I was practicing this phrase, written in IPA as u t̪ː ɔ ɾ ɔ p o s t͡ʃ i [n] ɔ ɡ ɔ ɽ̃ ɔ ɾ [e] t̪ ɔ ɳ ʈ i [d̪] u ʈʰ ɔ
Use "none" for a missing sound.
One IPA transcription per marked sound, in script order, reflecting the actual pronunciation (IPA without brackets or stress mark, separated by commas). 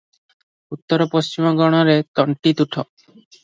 m, e, t̪